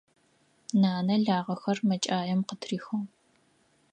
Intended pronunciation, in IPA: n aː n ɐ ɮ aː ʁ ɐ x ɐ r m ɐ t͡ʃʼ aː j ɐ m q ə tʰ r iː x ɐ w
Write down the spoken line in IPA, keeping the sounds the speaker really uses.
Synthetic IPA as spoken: n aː n ɐ ɮ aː ʁ ɐ x ɐ r m ɐ t͡ʃʼ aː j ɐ m q ə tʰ r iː x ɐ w